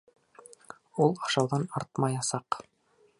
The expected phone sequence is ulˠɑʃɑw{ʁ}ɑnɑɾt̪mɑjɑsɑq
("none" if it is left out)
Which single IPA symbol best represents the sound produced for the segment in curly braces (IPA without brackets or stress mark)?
ð